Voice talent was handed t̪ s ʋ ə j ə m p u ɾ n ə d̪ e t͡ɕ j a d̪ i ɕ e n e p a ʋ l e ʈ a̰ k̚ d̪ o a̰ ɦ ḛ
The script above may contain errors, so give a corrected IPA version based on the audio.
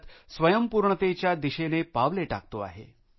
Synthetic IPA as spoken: t̪ s ʋ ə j ə m p u ɾ ɳ ə t̪ e t͡ɕ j a d̪ i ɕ e n e p a ʋ l e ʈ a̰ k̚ t̪ o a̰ ɦ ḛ